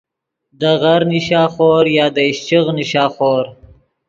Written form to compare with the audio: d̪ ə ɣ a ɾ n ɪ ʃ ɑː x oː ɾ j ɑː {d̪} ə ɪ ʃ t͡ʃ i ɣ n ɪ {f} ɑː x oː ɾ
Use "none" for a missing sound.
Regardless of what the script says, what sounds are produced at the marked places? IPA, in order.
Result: d̪, ʃ

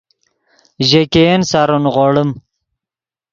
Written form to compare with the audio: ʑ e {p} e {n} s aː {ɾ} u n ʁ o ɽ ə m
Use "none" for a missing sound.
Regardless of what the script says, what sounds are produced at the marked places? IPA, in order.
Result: k, n, ɾ

